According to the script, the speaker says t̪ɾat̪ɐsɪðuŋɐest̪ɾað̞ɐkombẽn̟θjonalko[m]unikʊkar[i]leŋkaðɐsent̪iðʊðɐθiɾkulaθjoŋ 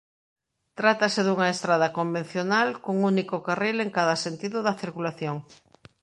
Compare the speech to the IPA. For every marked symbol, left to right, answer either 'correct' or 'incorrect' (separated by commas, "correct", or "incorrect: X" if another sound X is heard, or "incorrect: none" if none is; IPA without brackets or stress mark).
incorrect: ŋ, correct